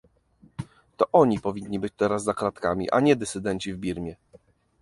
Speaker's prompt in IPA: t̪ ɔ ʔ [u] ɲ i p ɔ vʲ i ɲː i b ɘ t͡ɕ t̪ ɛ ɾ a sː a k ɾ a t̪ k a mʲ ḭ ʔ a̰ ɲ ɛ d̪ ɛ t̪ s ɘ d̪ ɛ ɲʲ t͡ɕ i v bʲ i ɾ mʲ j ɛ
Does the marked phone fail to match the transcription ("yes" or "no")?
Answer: yes